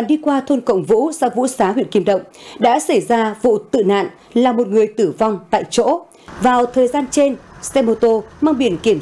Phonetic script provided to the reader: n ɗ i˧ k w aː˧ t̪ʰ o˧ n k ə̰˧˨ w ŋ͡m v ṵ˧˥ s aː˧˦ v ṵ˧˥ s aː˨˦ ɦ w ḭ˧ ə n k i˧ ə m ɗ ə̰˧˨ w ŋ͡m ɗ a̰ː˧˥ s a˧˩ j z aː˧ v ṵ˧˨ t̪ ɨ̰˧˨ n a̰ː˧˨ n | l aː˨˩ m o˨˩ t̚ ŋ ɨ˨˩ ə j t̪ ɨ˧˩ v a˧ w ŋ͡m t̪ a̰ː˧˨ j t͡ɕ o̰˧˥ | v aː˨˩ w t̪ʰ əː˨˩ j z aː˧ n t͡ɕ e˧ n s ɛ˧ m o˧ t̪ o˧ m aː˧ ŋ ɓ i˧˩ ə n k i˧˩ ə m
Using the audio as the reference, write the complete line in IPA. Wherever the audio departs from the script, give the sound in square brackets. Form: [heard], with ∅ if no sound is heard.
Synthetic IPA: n ɗ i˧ k w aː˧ t̪ʰ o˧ n k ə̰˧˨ w ŋ͡m v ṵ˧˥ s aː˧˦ v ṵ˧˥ s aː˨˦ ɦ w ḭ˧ ə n k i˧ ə m ɗ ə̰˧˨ w ŋ͡m ɗ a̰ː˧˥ s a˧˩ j z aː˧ v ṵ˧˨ t̪ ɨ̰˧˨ n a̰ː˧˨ n | l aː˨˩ m o˨˩ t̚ ŋ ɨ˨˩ ə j t̪ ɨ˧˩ v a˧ w ŋ͡m t̪ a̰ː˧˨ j t͡ɕ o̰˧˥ | v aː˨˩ w t̪ʰ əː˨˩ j z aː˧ n t͡ɕ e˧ n s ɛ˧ m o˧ t̪ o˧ m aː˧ ŋ ɓ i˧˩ ə n k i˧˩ ə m